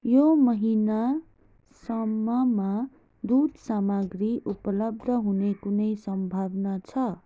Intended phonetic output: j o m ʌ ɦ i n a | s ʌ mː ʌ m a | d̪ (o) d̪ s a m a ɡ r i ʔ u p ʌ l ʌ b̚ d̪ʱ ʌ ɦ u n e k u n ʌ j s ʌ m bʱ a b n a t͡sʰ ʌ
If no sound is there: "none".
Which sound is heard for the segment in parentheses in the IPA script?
u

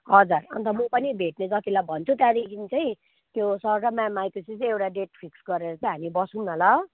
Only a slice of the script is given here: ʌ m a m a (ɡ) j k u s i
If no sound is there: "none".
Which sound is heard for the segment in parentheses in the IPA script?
none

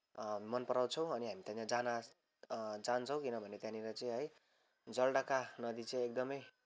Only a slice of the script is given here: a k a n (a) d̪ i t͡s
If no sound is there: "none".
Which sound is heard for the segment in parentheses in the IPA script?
ʌ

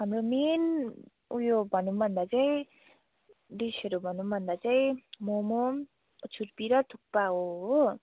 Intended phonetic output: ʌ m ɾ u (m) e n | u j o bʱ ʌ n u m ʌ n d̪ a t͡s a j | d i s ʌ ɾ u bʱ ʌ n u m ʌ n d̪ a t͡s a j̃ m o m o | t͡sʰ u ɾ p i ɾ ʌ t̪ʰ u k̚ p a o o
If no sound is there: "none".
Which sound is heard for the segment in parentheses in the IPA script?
m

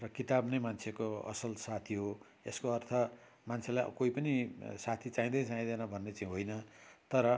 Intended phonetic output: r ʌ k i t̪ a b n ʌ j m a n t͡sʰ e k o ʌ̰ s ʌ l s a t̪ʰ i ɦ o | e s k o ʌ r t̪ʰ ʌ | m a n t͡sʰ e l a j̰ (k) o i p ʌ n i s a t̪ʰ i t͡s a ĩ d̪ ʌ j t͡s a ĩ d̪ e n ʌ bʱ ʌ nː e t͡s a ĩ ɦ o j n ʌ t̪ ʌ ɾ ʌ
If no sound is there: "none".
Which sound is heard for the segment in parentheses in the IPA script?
k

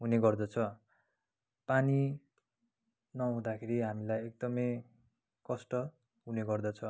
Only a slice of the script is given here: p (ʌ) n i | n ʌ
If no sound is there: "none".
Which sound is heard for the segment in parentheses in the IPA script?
a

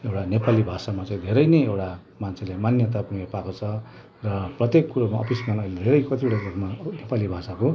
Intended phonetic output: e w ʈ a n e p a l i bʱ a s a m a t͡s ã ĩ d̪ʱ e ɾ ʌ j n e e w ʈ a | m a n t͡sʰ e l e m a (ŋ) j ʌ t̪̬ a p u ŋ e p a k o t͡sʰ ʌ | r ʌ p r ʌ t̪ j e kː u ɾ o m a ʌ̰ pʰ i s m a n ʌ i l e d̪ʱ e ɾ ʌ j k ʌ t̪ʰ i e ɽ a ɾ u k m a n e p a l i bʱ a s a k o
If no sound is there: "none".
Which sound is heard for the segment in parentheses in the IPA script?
n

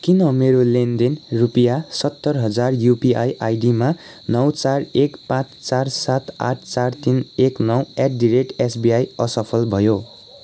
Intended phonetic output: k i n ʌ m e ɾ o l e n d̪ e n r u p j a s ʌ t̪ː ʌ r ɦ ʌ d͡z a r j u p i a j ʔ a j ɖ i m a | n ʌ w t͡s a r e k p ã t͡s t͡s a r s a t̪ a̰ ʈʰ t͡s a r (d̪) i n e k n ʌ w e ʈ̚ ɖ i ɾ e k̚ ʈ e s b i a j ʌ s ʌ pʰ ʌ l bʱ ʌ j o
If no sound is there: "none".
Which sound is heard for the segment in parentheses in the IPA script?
t̪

